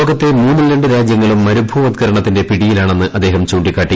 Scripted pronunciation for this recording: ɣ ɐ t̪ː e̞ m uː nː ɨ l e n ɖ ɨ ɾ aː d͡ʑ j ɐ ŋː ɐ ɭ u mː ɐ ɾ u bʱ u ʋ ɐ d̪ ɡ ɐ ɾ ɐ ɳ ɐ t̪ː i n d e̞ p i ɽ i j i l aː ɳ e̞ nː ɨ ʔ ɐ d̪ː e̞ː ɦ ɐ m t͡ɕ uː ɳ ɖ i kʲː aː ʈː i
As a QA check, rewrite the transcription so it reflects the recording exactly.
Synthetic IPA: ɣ ɐ t̪ː e̞ m uː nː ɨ l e ɳ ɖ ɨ ɾ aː d͡ʑ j ɐ ŋː ɐ ɭ u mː ɐ ɾ u bʱ u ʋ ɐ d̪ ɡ ɐ ɾ ɐ ɳ ɐ t̪ː i n d e̞ p i ɽ i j i l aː ɳ e̞ nː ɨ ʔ ɐ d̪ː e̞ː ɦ ɐ m t͡ɕ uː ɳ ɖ i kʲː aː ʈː i